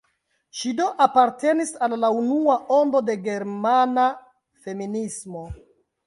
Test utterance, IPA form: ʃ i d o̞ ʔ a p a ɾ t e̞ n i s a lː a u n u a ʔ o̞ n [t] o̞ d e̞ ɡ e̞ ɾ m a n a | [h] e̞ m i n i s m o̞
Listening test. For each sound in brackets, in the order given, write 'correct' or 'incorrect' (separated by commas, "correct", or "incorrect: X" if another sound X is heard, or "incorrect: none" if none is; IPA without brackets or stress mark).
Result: incorrect: d, incorrect: f